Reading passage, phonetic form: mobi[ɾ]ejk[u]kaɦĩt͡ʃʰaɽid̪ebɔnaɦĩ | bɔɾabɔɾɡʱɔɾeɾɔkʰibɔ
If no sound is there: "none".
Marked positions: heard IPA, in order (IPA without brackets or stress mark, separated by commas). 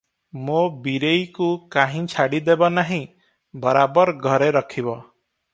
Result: ɾ, u